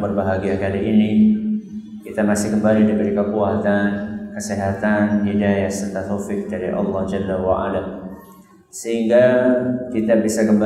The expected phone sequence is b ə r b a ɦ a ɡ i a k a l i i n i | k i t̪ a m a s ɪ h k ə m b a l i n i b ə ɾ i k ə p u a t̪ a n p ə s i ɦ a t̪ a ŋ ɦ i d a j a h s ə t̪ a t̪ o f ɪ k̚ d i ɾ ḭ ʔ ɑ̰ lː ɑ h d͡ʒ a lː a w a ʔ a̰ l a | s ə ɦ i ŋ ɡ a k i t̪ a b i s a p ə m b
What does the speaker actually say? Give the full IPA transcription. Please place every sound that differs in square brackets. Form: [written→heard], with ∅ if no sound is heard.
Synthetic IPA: b ə r b a ɦ a ɡ i a k a l i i n i | k i t̪ a m a s ɪ h k ə m b a l i [n→d] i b ə ɾ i k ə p u a t̪ a n [p→k] ə s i ɦ a t̪ a [ŋ→n] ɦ i d a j a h s ə t̪ a t̪ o f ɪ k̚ d [i→a] ɾ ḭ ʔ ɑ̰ lː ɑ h d͡ʒ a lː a w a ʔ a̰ l a | s ə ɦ i ŋ ɡ a k i t̪ a b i s a [p→k] ə m b